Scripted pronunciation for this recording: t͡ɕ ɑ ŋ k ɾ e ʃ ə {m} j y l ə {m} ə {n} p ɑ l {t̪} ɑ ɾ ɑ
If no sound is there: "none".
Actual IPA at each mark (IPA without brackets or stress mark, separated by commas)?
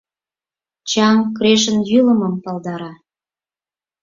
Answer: n, m, m, d̪